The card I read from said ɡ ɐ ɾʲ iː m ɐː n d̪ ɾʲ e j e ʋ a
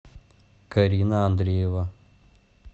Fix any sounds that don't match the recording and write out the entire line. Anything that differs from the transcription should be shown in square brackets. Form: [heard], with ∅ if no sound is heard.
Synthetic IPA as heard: [k] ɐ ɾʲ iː [n] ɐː n d̪ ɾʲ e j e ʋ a